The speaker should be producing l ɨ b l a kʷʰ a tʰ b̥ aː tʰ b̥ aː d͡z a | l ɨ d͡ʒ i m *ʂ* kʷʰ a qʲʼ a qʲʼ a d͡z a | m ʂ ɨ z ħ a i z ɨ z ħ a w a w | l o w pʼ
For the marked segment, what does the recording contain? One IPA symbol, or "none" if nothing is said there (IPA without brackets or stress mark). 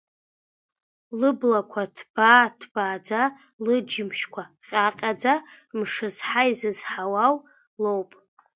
ʃ